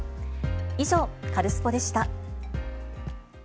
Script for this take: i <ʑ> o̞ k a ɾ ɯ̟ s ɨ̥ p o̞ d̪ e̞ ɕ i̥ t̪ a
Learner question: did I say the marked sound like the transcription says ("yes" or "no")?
yes